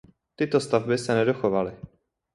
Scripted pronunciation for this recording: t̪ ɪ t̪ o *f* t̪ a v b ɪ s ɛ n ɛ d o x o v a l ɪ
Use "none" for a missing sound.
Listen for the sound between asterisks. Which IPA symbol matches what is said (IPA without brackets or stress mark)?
s